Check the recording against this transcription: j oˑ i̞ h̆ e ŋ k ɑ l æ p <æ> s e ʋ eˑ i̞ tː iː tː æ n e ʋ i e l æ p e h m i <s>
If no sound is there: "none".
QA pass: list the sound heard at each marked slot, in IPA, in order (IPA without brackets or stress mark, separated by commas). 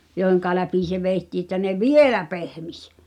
i, s